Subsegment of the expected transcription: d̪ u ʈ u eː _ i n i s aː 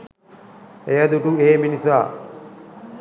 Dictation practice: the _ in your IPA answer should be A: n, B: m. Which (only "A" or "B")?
B